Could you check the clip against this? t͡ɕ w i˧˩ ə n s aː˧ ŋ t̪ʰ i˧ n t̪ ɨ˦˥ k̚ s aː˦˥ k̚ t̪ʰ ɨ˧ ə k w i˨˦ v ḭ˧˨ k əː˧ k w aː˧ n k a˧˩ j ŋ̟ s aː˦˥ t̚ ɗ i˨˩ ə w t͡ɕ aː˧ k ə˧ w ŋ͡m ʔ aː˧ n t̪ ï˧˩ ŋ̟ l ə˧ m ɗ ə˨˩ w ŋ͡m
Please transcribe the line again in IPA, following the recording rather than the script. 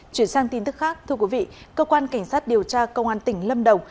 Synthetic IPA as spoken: t͡ɕ w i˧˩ ə n s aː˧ ŋ t̪ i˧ n t̪ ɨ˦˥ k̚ x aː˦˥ k̚ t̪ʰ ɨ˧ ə k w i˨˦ v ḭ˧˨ k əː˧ k w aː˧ n k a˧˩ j ŋ̟ s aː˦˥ t̚ ɗ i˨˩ ə w t͡ɕ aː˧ k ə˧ w ŋ͡m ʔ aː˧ n t̪ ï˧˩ ŋ̟ l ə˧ m ɗ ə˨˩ w ŋ͡m

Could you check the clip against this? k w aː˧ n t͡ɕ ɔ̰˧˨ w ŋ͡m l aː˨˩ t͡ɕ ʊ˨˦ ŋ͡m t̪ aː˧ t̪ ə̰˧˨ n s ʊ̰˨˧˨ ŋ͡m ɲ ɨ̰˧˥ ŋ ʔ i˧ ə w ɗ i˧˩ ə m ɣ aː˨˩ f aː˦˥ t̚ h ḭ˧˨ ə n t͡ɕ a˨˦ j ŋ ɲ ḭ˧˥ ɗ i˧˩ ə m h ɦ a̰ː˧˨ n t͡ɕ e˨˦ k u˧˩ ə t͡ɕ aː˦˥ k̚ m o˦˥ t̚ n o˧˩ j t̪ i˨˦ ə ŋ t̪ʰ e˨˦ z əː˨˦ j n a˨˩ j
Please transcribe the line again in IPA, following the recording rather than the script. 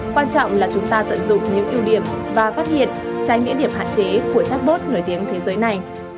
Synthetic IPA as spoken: k w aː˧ n t͡ɕ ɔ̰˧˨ w ŋ͡m l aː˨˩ t͡ɕ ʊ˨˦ ŋ͡m t̪ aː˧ t̪ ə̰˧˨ n z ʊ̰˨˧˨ ŋ͡m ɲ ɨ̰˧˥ ŋ ʔ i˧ ə w ɗ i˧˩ ə m v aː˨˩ f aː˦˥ t̚ h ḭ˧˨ ə n t͡ɕ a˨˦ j ŋ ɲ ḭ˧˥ ɗ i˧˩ ə m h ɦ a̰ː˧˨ n t͡ɕ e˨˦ k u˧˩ ə t͡ɕ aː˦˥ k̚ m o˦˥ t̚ n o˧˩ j t̪ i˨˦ ə ŋ t̪ʰ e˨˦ z əː˨˦ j n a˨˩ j

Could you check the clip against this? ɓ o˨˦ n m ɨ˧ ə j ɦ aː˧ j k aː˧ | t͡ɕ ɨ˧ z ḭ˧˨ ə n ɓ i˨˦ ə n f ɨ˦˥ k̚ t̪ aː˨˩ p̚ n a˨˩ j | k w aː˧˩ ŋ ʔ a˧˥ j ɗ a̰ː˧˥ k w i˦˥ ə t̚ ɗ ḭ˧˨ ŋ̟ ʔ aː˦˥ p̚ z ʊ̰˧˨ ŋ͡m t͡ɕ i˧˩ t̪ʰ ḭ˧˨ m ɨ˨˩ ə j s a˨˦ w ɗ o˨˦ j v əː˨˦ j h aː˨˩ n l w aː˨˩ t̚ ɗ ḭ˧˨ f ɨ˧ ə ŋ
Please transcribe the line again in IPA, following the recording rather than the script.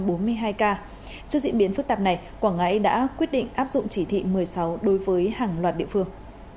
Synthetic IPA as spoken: ɓ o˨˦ n m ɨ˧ ə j ɦ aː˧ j k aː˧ | t͡ɕ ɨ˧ z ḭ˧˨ ə n ɓ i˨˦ ə n f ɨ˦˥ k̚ t̪ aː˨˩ p̚ n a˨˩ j | k w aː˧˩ ŋ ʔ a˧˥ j ɗ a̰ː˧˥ k w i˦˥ ə t̚ ɗ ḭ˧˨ ŋ̟ ʔ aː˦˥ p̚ z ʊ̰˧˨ ŋ͡m t͡ɕ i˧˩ t̪ʰ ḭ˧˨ m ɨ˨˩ ə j s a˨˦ w ɗ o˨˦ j v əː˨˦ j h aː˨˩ ŋ l w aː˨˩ t̚ ɗ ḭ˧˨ f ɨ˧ ə ŋ

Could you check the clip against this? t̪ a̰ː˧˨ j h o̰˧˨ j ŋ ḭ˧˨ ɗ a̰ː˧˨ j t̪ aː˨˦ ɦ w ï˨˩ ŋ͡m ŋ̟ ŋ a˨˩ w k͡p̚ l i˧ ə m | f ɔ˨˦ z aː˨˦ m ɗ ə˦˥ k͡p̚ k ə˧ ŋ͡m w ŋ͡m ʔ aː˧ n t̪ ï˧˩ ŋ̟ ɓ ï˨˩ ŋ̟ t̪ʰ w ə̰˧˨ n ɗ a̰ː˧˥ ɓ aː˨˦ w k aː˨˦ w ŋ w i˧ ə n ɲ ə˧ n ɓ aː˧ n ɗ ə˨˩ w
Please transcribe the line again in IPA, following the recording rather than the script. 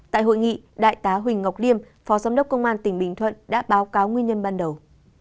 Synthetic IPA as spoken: t̪ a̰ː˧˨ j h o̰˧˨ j ŋ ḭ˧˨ ɗ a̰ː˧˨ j t̪ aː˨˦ ɦ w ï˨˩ ŋ̟ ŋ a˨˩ w k͡p̚ l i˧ ə m | f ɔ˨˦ z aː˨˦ m ɗ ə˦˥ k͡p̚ k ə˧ w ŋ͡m ʔ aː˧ n t̪ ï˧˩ ŋ̟ ɓ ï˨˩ ŋ̟ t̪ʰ w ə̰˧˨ n ɗ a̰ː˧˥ ɓ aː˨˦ w k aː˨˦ w ŋ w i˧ ə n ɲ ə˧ n ɓ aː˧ n ɗ ə˨˩ w

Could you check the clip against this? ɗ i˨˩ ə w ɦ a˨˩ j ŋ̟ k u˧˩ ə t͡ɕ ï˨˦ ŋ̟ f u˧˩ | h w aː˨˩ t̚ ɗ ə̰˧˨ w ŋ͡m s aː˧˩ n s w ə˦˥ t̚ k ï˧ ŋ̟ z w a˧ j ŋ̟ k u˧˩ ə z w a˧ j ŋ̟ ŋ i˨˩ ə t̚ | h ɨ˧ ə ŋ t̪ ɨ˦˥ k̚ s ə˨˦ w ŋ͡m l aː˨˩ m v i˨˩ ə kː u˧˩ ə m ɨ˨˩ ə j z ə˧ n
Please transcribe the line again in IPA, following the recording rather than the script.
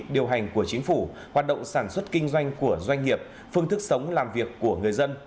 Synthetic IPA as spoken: ɗ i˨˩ ə w ɦ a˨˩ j ŋ̟ k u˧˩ ə t͡ɕ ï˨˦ ŋ̟ f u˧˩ | h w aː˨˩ t̚ ɗ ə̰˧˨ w ŋ͡m s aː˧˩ n s w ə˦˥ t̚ k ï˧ ŋ̟ z w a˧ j ŋ̟ k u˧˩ ə z w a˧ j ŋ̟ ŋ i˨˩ ə p̚ | f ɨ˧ ə ŋ t̪ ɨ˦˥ k̚ s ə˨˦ w ŋ͡m l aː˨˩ m v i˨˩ ə kː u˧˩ ə ŋ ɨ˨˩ ə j z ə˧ n

